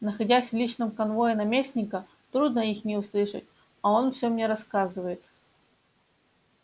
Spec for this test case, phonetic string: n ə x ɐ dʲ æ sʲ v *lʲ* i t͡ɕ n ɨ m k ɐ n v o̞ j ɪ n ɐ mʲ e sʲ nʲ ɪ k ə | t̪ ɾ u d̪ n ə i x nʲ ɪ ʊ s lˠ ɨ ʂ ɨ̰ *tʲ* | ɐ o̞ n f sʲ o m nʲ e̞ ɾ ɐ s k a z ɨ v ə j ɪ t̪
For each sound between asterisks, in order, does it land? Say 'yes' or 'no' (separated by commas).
yes, yes